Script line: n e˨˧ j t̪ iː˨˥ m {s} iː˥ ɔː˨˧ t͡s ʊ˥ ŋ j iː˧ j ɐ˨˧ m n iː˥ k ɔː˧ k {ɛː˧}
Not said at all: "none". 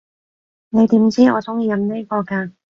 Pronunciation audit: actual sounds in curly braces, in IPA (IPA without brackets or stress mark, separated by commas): t͡s, aː˧